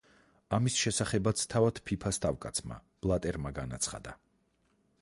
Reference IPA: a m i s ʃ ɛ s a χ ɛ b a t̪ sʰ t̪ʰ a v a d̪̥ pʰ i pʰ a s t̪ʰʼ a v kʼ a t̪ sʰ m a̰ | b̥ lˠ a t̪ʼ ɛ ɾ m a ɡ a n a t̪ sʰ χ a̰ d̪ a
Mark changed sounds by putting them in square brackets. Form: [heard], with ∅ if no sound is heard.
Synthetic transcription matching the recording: a m i s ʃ ɛ s a χ ɛ b a t̪ sʰ t̪ʰ a v a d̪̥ pʰ i pʰ a s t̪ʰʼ a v kʼ a t̪ sʰ m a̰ | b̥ lˠ a t̪ʼ ɛ ɾ m a ɡ a n a t̪ sʰ χ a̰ d̪ a